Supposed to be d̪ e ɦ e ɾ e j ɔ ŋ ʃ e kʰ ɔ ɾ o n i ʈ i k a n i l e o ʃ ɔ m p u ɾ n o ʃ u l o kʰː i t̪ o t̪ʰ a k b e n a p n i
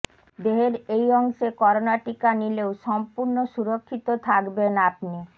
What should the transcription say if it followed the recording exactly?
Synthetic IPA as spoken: d̪ e ɦ e ɾ e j ɔ ŋ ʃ e k ɔ ɾ o n a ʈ i k a n i l e o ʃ ɔ m p u ɾ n o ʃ u ɾ o kʰː i t̪ o t̪ʰ a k b e n a p n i